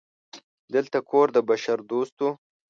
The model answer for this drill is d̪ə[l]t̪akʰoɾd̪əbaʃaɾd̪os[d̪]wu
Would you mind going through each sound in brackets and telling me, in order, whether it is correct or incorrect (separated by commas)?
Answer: correct, incorrect